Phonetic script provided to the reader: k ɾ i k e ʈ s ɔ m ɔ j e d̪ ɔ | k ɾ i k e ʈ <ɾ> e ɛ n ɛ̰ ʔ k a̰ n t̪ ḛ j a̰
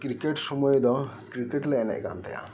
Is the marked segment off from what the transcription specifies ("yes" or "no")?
yes